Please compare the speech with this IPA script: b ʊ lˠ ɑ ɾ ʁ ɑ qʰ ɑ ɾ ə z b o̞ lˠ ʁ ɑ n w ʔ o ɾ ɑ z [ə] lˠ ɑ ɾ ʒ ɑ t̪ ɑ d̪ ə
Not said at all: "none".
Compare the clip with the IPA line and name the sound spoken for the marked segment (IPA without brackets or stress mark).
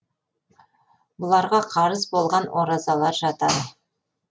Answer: ɑ